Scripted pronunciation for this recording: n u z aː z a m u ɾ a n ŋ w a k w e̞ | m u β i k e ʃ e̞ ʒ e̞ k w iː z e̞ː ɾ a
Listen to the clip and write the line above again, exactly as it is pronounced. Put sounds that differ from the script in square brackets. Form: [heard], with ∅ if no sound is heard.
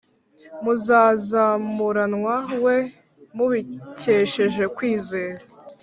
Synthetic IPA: [m] u z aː z a m u ɾ a n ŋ w a [∅] w e̞ | m u β i [c] e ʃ e̞ ʒ e̞ k w iː z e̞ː ɾ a